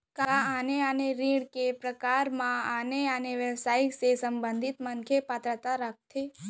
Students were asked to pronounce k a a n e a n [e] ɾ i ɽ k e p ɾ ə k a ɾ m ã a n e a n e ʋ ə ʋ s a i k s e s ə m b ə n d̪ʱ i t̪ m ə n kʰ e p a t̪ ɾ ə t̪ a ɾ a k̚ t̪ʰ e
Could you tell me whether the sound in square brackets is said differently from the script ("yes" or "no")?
no